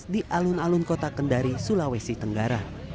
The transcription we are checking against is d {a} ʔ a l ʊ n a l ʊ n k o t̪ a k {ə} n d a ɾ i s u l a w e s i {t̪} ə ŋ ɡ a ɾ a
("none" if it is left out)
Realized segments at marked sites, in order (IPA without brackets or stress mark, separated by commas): i, ə, t̪